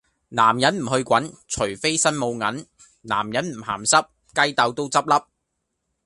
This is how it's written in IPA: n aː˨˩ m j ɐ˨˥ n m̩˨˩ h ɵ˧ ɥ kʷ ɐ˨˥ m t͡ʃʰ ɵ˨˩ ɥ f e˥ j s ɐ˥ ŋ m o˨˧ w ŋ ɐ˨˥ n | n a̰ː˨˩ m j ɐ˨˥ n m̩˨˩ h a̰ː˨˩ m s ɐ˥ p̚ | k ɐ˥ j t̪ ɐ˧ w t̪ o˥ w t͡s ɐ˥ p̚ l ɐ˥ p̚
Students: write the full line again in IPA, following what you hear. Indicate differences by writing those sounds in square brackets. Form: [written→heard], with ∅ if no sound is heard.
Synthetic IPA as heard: n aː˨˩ m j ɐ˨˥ n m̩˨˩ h ɵ˧ ɥ kʷ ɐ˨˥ [m→n] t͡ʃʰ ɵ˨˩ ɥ f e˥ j s ɐ˥ [ŋ→n] m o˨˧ w ŋ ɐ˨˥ n | n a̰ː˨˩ m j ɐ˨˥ n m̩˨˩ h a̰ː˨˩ m s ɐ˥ p̚ | k ɐ˥ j t̪ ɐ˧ w t̪ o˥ w t͡s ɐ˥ p̚ l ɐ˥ p̚